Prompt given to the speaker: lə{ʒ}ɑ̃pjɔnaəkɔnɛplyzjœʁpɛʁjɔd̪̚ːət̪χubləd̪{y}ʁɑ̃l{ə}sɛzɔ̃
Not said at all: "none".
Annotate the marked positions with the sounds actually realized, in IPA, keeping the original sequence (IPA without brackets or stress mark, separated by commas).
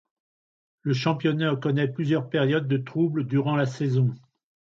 ʃ, y, a